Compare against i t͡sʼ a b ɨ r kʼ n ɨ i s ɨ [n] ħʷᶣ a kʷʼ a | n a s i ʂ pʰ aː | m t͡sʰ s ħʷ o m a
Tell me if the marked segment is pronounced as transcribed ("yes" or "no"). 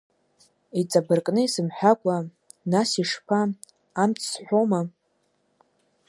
no